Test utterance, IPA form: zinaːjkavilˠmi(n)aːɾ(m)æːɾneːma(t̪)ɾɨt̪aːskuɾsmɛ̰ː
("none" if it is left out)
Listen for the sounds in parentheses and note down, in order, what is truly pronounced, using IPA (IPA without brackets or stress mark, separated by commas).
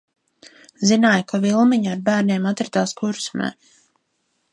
ɲ, b, t̪